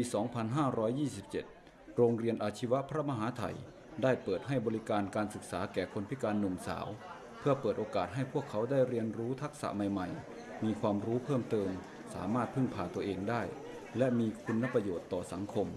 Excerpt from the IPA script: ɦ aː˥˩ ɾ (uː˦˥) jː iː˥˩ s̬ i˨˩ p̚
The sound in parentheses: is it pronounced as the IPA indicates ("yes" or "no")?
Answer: no